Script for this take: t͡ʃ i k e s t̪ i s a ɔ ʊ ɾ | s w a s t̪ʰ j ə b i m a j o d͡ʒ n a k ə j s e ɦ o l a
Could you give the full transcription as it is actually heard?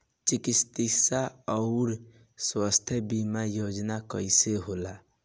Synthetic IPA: t͡ʃ i k i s t̪ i s a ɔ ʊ ɾ | s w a s t̪ʰ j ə b i m a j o d͡ʒ n a k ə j s e ɦ o l a